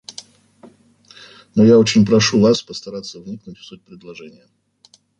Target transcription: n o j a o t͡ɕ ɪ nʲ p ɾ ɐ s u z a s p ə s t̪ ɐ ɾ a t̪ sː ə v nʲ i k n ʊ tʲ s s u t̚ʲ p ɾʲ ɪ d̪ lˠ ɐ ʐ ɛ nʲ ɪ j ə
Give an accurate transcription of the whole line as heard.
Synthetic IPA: n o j a o t͡ɕ ɪ nʲ p ɾ ɐ ʂ u v a s p ə s t̪ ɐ ɾ a t̪ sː ə v nʲ i k n ʊ tʲ f s u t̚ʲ p ɾʲ ɪ d̪ lˠ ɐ ʐ ɛ nʲ ɪ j ə